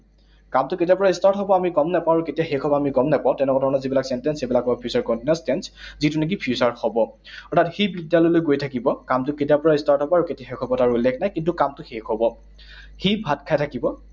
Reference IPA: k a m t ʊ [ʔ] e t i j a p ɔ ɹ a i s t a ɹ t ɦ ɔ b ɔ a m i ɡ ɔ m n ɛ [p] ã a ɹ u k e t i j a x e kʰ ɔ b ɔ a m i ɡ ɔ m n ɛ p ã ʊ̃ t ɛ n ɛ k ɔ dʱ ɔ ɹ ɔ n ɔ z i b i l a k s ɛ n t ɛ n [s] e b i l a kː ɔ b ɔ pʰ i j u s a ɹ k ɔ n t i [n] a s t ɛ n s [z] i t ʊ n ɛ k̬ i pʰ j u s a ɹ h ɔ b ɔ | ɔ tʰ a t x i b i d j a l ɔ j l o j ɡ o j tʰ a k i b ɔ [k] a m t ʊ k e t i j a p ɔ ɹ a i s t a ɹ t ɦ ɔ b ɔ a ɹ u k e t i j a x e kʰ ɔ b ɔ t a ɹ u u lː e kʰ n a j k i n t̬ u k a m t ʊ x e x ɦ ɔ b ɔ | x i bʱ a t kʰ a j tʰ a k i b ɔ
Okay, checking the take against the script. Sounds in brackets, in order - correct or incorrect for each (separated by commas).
incorrect, correct, correct, correct, correct, correct